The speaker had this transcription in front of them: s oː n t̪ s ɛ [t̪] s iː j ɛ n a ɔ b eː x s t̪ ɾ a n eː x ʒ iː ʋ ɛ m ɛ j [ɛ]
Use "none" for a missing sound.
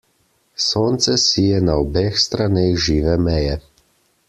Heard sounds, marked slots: none, ɛ

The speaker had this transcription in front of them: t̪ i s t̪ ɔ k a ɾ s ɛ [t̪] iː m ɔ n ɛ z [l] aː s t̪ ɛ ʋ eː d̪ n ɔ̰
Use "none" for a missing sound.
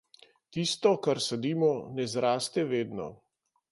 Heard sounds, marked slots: d̪, ɾ

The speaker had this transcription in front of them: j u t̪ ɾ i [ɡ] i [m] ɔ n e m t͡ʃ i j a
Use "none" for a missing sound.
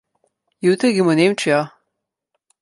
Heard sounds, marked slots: ɡ, m

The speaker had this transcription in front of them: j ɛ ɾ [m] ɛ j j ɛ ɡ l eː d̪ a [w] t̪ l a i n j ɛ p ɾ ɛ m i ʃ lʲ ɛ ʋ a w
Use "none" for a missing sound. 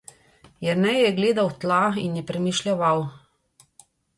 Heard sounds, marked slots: n, w

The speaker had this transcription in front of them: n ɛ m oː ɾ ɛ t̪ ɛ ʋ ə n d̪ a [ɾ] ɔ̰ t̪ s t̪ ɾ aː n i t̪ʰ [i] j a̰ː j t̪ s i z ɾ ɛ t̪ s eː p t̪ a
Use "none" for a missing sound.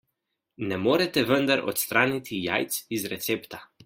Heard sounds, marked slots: ɾ, i

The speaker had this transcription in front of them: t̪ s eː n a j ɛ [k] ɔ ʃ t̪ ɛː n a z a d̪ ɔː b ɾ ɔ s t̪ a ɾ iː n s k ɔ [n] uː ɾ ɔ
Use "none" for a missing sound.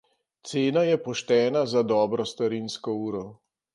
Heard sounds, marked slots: p, none

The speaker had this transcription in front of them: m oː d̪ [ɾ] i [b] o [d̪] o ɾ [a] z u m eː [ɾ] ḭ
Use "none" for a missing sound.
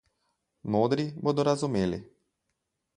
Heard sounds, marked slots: ɾ, b, d̪, a, l

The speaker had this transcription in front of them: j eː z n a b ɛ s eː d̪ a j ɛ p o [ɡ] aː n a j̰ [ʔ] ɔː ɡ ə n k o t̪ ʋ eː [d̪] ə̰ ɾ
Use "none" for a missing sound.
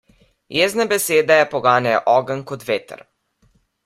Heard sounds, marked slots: ɡ, ʔ, t̪

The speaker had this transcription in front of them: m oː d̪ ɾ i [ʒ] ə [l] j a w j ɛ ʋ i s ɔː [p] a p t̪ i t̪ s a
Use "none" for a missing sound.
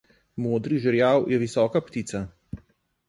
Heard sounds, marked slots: ʒ, ɾ, k

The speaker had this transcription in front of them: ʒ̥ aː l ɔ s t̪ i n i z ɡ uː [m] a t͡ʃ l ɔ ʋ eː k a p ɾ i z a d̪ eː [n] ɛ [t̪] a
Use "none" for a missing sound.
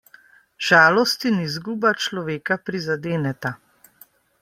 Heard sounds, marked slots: b, n, t̪

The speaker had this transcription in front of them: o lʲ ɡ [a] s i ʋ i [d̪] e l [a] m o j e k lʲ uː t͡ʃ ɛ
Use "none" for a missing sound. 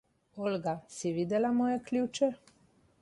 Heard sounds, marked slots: a, d̪, a

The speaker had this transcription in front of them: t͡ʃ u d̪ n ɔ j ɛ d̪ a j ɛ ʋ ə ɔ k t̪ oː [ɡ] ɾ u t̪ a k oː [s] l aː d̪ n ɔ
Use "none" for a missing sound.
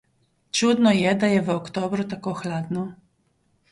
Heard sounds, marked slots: b, x

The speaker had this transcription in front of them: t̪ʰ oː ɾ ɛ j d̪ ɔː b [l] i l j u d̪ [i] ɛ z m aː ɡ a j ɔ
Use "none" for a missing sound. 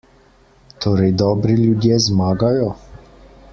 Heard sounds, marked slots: ɾ, j

